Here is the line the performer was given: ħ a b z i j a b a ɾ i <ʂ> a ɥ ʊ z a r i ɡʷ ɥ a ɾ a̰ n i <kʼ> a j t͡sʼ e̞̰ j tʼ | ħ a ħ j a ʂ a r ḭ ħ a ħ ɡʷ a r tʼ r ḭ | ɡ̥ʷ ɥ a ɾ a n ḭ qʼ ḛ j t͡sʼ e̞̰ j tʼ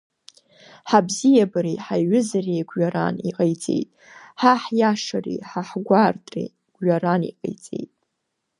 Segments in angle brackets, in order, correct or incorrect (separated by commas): incorrect, incorrect